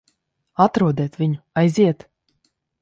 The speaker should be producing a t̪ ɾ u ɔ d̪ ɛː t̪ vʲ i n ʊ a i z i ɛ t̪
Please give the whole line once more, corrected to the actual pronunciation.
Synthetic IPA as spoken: a t̪ ɾ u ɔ d̪ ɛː t̪ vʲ i ɲ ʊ a j z i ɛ t̪